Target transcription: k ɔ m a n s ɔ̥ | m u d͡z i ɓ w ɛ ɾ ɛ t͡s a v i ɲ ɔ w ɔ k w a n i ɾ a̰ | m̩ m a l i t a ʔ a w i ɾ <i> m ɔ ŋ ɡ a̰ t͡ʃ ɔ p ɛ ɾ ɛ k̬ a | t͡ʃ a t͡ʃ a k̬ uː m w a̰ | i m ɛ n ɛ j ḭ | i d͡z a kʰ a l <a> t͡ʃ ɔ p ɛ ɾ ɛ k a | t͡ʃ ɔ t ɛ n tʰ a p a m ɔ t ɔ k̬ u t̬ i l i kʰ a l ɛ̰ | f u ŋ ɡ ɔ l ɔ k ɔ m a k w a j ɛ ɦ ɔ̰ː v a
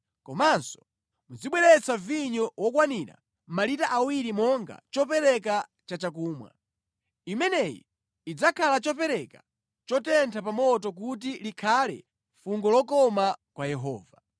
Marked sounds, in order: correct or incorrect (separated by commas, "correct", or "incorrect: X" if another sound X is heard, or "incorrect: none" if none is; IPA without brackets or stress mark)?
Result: correct, correct